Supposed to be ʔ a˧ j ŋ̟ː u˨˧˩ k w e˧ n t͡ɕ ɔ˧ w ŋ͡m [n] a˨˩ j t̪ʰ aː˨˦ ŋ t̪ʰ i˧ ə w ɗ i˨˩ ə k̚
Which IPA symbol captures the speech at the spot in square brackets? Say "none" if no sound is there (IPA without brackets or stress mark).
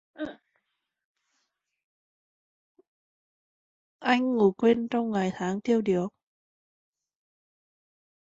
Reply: ŋ